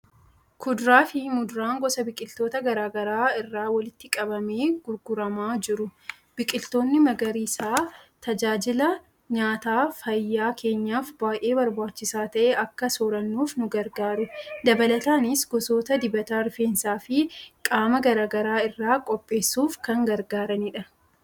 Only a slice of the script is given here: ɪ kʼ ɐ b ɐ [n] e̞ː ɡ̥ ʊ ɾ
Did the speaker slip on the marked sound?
yes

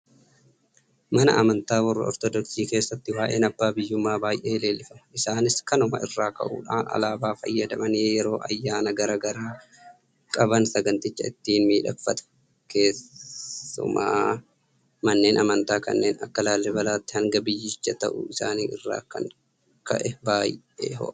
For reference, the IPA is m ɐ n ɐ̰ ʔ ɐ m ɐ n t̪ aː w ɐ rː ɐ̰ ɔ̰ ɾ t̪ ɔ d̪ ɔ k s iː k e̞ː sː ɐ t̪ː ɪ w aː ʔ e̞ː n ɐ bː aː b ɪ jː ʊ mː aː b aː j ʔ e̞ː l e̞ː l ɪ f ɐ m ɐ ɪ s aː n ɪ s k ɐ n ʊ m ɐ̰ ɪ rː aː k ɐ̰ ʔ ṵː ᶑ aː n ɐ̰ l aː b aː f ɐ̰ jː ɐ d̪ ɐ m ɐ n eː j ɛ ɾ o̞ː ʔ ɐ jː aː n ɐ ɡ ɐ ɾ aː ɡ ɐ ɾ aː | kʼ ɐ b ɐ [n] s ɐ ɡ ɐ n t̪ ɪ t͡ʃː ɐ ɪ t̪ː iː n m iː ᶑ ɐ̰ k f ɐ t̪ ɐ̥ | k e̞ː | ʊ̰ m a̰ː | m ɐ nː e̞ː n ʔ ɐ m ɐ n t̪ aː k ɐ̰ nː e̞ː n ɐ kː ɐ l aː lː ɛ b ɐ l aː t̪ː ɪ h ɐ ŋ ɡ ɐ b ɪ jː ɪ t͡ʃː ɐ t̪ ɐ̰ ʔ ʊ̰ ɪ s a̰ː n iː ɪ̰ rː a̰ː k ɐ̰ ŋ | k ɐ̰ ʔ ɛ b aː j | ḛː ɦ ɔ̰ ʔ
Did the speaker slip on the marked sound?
no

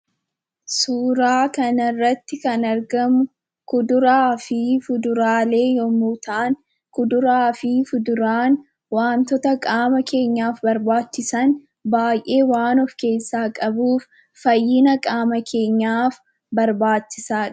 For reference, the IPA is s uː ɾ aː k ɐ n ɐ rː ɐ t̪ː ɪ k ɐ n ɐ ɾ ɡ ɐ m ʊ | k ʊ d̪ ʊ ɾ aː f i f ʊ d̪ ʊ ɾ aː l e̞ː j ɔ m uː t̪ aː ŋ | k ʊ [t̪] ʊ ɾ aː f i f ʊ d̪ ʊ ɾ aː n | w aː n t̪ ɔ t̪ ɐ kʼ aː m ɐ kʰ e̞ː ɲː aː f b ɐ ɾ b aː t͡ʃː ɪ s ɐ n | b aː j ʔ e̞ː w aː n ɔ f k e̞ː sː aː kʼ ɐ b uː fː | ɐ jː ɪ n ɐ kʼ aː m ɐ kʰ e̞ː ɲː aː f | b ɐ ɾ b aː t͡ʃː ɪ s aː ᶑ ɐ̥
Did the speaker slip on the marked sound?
yes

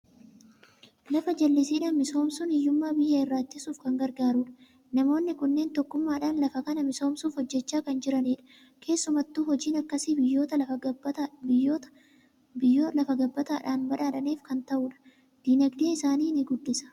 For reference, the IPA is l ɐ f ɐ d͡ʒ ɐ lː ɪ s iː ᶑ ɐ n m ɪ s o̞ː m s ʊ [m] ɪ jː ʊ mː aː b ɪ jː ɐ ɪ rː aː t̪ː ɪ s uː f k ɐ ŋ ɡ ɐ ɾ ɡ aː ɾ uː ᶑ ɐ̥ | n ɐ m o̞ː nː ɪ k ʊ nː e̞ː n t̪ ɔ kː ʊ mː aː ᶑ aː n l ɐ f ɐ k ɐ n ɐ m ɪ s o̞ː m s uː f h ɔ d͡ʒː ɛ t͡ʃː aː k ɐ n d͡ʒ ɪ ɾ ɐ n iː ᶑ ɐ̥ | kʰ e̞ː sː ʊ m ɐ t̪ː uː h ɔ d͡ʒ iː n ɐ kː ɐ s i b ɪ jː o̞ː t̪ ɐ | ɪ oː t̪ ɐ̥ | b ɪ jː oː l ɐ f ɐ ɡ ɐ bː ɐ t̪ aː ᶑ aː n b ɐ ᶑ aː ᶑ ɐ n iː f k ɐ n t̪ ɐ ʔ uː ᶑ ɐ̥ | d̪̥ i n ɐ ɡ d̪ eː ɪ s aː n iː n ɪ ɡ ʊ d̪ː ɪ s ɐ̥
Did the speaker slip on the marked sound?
yes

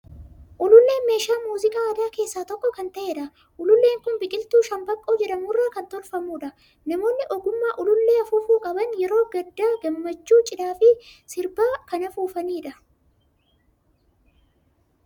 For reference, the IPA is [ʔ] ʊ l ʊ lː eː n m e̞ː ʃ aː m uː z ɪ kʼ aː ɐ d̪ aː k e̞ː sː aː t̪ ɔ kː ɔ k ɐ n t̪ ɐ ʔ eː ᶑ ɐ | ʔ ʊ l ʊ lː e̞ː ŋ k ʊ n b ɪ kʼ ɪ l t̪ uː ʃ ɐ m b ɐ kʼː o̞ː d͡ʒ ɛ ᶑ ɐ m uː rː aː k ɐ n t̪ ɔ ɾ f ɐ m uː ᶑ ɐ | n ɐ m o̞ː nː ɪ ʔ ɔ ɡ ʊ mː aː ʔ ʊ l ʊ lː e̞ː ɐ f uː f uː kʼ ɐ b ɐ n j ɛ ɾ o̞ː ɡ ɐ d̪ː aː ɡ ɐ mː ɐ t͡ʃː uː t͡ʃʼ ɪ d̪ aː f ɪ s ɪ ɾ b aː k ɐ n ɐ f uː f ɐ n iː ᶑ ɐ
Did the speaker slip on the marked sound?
no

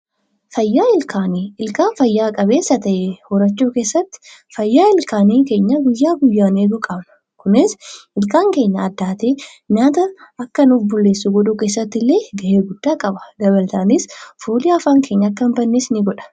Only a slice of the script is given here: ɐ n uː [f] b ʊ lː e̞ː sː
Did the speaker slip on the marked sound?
no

